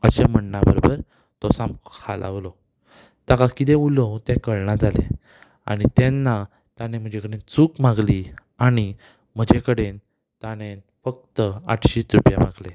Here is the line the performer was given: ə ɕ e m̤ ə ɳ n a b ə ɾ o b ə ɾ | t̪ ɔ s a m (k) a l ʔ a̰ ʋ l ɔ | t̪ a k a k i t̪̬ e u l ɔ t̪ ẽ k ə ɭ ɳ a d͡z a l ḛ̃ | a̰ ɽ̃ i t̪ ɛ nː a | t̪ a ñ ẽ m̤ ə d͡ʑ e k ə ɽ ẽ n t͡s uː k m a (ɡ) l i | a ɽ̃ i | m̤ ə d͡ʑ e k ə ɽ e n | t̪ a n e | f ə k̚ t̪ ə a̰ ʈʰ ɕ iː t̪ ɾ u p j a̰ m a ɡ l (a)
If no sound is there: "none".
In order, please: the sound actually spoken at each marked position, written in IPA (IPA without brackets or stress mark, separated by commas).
kʰ, ɡ, e